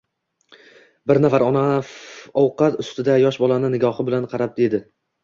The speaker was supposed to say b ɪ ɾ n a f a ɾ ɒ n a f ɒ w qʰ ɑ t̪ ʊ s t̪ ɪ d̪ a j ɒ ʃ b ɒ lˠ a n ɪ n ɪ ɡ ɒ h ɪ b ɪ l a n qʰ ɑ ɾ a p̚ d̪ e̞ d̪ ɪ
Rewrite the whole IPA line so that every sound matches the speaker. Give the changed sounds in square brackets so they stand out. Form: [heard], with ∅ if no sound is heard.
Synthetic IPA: b ɪ ɾ n a f a ɾ ɒ n a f ɒ w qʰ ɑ t̪ ʊ s t̪ ɪ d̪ a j ɒ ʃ b ɒ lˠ a n ɪ n ɪ ɡ ɒ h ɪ b ɪ l a n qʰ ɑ ɾ a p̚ d̪ e̞ d̪ ɪ